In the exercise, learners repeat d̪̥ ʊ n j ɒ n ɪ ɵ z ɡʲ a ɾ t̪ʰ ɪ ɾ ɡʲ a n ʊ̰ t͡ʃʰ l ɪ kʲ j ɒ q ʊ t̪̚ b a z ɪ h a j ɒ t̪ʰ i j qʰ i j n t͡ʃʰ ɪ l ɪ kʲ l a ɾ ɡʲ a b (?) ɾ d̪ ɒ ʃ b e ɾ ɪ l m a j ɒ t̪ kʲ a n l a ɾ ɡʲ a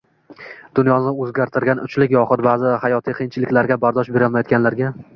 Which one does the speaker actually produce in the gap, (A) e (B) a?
B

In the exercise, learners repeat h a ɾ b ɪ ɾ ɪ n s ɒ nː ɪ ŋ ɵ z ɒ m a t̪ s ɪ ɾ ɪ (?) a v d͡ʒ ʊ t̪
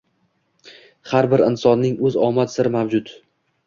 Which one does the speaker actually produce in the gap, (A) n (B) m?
B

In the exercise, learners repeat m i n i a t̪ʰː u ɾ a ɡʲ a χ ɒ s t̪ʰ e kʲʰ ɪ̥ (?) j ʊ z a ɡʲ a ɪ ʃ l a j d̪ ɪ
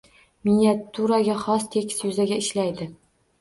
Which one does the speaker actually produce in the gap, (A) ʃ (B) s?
B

